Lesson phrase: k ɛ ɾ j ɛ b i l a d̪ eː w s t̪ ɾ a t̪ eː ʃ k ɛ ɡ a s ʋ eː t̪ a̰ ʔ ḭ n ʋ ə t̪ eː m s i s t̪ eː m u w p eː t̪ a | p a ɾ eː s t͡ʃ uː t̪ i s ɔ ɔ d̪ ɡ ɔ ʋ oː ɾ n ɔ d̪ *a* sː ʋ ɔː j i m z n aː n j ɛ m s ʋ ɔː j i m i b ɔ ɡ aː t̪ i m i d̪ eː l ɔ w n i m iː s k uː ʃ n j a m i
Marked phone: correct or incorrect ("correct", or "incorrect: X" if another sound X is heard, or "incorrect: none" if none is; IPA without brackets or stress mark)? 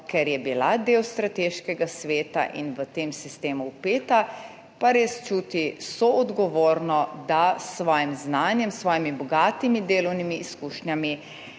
correct